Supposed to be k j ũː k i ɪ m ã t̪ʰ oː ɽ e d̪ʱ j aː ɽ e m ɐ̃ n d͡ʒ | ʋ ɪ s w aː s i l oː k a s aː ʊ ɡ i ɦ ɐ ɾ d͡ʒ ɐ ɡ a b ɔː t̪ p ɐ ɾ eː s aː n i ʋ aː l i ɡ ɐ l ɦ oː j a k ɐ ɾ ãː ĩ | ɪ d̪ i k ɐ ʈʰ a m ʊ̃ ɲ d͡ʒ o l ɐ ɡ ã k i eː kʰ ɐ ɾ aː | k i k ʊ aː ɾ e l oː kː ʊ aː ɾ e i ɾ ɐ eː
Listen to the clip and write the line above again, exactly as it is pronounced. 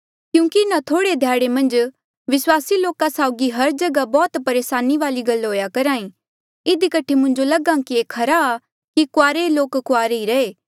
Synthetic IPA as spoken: k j ũː k i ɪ n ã t̪ʰ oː ɽ e d̪ʱ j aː ɽ e m ɐ̃ n d͡ʒ | ʋ ɪ s w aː s i l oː k a s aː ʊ ɡ i ɦ ɐ ɾ d͡ʒ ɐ ɡ a b ɔː t̪ p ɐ ɾ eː s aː n i ʋ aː l i ɡ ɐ l ɦ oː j a k ɐ ɾ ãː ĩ | ɪ d̪ i k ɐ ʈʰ e m ʊ̃ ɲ d͡ʒ o l ɐ ɡ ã k i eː kʰ ɐ ɾ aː | k i k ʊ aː ɾ e l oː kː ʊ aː ɾ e i ɾ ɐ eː

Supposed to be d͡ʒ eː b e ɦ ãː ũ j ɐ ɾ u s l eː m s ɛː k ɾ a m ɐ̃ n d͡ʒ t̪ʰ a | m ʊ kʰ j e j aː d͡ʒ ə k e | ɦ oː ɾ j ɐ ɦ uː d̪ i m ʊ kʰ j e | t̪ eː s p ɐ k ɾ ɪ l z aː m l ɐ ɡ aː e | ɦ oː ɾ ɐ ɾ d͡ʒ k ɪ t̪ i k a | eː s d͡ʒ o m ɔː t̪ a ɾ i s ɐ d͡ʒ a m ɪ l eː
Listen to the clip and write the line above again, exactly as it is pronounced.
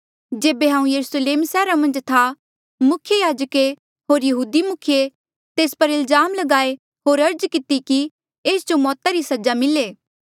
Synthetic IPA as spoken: d͡ʒ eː b e ɦ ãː ũ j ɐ ɾ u s l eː m s ɛː ɾ a m ɐ̃ n d͡ʒ t̪ʰ a | m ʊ kʰ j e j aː d͡ʒ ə k e | ɦ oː ɾ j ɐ ɦ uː d̪ i m ʊ kʰ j e | t̪ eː s p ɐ ɾ ɪ l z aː m l ɐ ɡ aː e | ɦ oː ɾ ɐ ɾ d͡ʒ k ɪ t̪ i k i | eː s d͡ʒ o m ɔː t̪ a ɾ i s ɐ d͡ʒ a m ɪ l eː

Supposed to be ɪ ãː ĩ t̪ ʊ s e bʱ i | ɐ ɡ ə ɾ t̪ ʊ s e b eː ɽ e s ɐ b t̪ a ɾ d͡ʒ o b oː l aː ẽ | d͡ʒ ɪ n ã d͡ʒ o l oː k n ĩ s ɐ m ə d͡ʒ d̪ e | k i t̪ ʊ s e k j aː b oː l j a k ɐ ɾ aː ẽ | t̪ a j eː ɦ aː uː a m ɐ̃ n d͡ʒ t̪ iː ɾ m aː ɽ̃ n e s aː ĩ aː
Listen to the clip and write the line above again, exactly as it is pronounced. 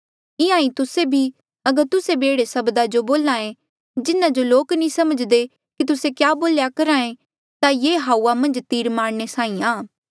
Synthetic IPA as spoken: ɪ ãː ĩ t̪ ʊ s e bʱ i | ɐ ɡ ə ɾ t̪ ʊ s e b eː ɽ e s ɐ b d̪ a d͡ʒ o b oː l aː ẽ | d͡ʒ ɪ n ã d͡ʒ o l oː k n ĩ s ɐ m ə d͡ʒ d̪ e | k i t̪ ʊ s e k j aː b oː l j a k ɐ ɾ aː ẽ | t̪ a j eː ɦ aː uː a m ɐ̃ n d͡ʒ t̪ iː ɾ m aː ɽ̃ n e s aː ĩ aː

